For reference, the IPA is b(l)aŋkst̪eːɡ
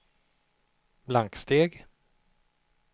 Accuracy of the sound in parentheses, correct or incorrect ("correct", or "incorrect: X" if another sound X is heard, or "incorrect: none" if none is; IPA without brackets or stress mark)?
correct